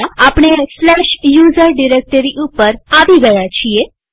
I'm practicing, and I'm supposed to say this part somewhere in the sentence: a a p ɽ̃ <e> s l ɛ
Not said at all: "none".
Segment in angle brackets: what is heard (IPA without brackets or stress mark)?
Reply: e